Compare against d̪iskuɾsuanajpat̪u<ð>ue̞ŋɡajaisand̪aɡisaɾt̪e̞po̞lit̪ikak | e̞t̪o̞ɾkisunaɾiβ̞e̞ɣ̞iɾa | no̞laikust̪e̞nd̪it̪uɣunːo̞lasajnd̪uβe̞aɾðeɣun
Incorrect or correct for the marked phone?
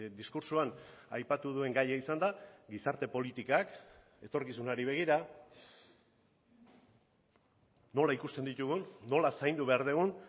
correct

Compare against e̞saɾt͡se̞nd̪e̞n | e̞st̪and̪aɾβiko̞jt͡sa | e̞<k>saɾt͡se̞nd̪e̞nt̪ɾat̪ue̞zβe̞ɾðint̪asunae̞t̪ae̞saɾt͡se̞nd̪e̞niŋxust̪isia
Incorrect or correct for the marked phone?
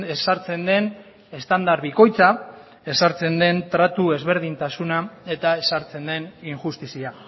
incorrect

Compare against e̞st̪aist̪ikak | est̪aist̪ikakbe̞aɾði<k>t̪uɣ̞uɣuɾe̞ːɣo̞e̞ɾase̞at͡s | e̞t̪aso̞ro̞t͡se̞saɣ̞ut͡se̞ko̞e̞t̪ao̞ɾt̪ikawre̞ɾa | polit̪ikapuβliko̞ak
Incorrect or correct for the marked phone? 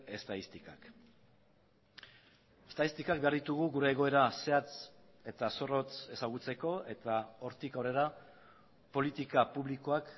incorrect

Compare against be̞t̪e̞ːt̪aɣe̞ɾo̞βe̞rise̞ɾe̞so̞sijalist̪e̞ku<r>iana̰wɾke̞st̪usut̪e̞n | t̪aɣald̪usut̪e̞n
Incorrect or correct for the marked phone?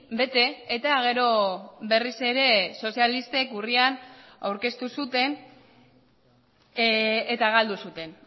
correct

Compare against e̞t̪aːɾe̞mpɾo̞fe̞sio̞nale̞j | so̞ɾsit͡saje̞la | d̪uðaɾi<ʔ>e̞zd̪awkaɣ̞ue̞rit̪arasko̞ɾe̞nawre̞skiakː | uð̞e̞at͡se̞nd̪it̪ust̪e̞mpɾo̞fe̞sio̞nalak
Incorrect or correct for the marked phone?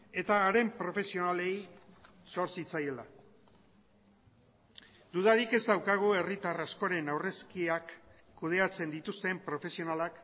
incorrect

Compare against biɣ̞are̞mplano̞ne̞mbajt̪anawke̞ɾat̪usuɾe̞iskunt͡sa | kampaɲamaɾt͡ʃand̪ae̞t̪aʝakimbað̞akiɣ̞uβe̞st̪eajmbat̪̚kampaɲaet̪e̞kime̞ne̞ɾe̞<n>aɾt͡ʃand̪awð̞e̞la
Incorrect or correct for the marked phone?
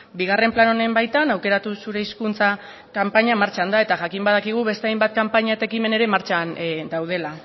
incorrect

